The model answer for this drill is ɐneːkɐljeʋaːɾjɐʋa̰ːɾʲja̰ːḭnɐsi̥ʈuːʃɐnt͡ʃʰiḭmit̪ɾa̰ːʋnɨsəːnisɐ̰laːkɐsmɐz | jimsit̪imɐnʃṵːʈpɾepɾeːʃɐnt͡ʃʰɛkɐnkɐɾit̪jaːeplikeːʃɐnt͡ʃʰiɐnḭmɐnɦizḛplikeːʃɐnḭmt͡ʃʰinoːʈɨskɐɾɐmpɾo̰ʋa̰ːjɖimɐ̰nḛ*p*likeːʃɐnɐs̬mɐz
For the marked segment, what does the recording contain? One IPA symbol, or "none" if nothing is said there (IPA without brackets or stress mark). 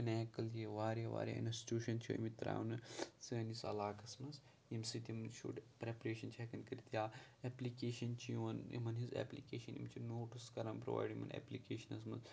p